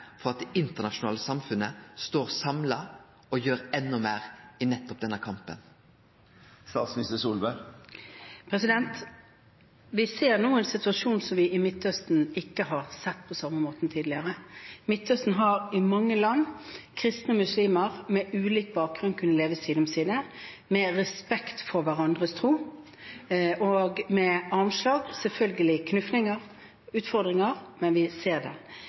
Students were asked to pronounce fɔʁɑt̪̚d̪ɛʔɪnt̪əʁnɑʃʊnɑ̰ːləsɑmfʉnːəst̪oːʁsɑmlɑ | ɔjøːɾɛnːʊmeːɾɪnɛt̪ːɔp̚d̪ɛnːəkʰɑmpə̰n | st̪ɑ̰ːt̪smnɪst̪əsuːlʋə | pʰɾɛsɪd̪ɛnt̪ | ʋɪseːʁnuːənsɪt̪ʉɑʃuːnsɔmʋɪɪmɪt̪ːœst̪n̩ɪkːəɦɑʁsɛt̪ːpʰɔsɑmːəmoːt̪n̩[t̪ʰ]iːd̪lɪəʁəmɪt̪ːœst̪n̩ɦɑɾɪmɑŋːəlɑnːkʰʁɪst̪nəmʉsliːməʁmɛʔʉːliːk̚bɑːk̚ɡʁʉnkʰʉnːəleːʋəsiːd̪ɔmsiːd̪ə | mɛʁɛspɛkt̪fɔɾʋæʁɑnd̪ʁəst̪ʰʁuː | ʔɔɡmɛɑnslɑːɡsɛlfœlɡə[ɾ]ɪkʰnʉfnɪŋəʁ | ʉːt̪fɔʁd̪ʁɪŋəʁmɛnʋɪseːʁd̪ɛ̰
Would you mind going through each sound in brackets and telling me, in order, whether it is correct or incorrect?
correct, incorrect

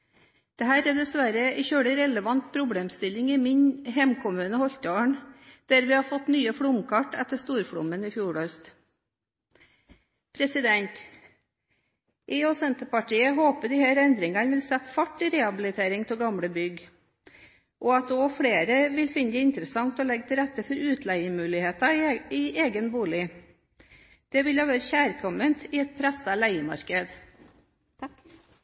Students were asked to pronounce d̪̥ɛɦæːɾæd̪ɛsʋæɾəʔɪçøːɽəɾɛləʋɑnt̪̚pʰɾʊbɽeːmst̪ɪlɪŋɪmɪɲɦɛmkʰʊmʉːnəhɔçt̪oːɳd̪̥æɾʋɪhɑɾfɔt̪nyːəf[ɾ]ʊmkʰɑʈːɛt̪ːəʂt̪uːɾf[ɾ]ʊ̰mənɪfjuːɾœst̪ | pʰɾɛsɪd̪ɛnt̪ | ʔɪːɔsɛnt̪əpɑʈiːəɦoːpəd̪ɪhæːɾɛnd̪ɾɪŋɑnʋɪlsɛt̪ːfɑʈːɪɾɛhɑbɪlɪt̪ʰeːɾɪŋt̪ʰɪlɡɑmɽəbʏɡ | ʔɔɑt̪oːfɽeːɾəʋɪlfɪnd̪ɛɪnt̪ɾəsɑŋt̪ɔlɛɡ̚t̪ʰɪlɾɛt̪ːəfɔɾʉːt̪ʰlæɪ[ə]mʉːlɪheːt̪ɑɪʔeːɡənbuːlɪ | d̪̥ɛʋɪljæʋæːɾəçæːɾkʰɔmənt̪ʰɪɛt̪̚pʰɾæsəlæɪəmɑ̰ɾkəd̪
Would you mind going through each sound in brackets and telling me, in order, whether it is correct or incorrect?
incorrect, incorrect, correct

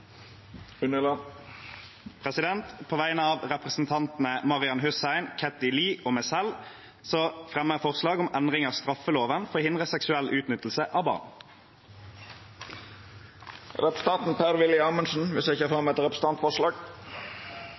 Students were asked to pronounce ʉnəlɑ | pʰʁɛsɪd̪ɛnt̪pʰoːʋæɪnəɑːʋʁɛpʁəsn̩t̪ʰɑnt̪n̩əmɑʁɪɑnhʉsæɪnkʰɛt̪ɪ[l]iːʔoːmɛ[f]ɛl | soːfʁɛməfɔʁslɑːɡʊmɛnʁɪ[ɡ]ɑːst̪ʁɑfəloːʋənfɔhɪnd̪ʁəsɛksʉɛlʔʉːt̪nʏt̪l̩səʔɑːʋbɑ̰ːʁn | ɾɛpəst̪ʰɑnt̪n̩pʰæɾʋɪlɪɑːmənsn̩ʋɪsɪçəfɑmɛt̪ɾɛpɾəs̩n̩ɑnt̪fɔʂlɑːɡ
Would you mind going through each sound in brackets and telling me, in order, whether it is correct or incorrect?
correct, incorrect, incorrect

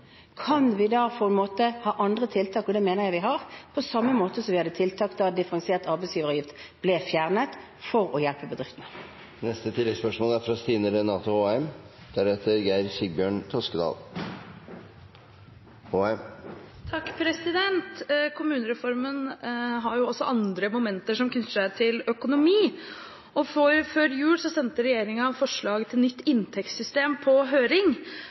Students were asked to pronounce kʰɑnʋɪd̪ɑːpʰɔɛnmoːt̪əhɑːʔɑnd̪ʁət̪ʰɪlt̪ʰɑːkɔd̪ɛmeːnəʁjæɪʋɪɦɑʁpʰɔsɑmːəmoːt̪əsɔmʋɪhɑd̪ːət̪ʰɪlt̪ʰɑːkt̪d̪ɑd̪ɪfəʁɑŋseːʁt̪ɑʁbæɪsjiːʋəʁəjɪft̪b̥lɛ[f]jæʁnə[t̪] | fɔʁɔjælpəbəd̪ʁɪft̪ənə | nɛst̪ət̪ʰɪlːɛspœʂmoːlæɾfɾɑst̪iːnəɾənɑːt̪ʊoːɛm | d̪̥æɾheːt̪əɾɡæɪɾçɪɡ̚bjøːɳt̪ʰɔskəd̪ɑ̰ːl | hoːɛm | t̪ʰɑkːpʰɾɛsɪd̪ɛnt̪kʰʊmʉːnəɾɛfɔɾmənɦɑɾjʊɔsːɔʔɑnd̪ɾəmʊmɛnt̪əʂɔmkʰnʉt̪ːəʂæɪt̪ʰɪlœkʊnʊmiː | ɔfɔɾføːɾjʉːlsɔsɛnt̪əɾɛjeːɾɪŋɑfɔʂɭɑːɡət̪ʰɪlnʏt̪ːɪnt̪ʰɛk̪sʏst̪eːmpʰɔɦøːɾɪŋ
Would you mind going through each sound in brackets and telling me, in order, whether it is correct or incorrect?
correct, correct

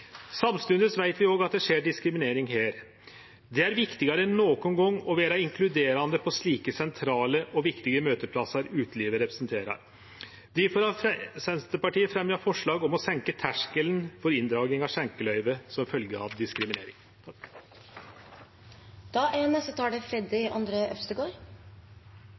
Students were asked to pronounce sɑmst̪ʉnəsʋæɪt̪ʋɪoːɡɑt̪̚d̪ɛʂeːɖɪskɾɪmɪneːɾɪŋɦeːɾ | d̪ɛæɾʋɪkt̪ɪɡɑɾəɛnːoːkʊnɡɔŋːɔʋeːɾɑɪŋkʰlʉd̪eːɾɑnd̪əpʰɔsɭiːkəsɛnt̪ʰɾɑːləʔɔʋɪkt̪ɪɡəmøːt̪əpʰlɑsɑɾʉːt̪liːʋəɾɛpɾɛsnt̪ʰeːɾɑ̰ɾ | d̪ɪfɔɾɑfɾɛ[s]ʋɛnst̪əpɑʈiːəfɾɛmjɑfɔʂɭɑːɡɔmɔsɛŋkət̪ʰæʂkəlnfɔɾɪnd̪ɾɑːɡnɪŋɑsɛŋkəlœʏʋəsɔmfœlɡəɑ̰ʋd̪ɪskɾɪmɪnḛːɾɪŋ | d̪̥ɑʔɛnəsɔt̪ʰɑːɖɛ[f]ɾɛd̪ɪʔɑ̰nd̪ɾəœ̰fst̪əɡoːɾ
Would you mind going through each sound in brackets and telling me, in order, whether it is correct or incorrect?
correct, correct

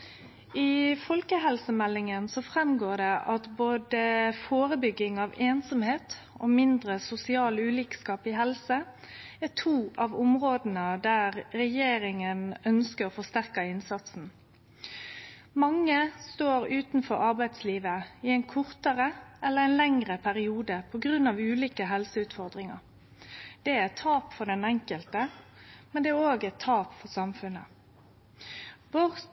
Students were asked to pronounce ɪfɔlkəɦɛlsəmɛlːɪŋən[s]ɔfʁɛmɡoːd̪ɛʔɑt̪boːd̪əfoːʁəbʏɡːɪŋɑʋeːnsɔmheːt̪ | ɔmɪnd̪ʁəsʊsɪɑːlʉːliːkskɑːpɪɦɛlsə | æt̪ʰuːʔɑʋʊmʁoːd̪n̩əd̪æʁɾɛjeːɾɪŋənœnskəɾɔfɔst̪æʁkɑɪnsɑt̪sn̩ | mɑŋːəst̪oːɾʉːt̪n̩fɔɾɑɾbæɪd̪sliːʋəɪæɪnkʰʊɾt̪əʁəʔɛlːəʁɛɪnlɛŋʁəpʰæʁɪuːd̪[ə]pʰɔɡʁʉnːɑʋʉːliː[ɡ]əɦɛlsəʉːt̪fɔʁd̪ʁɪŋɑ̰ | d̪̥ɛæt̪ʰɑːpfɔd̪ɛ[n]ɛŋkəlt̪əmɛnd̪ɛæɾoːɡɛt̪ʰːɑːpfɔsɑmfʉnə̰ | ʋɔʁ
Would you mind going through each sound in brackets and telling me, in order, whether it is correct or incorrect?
correct, correct, incorrect, correct

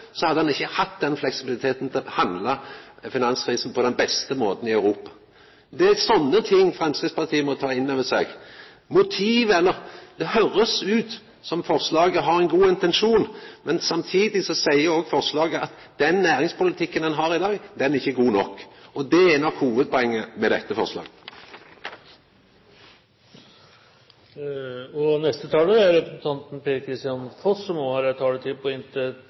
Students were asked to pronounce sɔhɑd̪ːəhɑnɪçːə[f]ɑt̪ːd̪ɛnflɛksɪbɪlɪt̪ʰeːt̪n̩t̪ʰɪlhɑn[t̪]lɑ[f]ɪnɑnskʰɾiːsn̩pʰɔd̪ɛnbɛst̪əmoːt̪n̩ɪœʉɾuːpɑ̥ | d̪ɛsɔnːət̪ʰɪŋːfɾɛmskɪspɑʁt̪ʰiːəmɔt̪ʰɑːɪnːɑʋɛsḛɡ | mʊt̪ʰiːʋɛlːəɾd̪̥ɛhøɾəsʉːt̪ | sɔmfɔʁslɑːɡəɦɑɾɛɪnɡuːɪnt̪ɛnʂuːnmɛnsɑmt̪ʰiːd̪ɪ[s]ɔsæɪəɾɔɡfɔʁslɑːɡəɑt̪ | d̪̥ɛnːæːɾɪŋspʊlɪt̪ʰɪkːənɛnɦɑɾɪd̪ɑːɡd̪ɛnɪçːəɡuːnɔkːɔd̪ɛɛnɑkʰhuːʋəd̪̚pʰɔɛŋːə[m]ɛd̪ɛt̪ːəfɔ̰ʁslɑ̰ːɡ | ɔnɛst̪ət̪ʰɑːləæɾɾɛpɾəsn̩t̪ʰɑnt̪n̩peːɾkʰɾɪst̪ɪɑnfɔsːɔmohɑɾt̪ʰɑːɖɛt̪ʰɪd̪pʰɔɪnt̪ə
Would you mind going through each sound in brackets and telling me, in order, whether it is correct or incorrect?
incorrect, incorrect, correct, correct, correct

